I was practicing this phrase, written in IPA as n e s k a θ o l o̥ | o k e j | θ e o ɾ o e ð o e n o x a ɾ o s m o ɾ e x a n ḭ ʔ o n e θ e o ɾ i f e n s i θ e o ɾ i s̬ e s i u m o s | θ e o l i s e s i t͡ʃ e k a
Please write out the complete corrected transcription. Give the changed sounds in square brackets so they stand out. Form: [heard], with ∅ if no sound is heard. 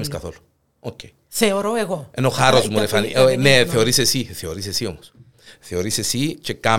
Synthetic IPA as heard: [m] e s k a θ o l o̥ | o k e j | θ e o ɾ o e [ɣ] o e n o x a ɾ o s m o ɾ e [f] a n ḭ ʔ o n e θ e o ɾ i [s] e [∅] s i θ e o ɾ i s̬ e s i [o] m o s | θ e o [ɾ] i s e s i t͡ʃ e k a